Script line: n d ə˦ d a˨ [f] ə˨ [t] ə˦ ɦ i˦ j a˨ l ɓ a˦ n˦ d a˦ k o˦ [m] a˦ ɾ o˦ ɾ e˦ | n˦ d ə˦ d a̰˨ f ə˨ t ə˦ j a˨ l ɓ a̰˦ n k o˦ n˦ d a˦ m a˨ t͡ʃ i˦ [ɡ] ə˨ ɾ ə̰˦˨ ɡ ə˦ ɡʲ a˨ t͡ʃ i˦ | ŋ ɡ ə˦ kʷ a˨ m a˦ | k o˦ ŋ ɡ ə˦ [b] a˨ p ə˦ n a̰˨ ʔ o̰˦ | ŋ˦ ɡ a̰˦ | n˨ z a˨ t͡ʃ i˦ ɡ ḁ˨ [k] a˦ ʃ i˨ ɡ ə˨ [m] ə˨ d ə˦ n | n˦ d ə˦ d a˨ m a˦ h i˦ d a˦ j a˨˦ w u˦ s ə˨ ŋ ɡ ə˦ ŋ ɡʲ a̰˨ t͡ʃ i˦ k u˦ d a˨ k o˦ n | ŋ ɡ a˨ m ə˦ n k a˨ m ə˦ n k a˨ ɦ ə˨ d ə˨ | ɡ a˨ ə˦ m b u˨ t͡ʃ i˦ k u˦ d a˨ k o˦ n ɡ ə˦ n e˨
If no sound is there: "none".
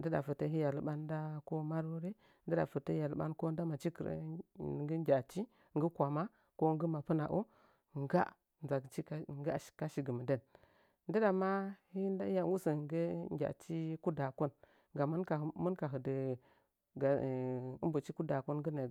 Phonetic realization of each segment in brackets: f, t, m, k, m, k, m

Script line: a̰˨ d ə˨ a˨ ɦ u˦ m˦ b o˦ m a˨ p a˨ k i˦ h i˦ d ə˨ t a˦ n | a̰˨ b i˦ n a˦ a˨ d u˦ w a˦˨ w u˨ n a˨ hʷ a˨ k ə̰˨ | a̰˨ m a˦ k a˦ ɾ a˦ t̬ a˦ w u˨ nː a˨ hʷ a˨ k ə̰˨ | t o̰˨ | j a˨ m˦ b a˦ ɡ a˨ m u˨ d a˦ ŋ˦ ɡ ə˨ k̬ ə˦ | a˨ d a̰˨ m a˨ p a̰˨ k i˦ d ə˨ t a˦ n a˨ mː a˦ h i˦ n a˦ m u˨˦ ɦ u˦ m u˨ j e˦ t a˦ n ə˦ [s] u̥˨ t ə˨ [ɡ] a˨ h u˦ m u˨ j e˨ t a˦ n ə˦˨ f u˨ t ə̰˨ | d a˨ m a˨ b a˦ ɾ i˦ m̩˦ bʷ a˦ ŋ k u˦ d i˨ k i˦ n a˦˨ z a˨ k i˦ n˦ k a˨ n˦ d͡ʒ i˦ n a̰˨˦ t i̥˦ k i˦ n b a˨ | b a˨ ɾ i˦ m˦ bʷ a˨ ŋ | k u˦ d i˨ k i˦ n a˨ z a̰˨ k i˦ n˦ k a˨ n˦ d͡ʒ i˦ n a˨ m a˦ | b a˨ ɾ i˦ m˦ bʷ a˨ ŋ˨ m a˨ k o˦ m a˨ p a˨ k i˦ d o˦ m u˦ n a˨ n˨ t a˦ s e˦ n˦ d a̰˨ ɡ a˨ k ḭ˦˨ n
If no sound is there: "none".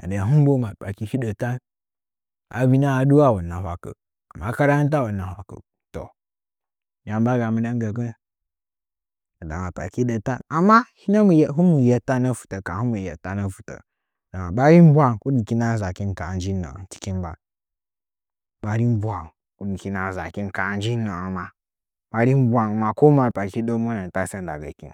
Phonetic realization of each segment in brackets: f, k

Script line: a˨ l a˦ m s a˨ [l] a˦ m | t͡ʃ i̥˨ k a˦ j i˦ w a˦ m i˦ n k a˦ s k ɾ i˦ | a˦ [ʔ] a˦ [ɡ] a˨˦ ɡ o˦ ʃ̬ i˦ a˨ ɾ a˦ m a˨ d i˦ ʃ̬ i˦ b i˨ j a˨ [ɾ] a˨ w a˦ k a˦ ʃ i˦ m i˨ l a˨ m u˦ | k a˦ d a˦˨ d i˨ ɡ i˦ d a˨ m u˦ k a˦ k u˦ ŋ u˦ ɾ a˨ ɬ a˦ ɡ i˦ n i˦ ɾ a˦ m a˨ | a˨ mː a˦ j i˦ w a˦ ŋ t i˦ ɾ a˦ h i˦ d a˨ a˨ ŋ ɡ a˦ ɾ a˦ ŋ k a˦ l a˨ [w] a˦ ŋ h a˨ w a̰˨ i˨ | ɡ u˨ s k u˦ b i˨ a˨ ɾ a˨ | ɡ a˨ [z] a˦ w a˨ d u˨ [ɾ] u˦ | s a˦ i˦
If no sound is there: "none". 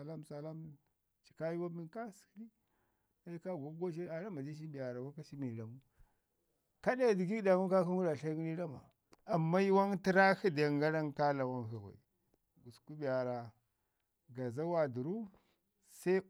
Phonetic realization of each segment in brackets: l, k, ɡ, ɾ, w, z, ɾ

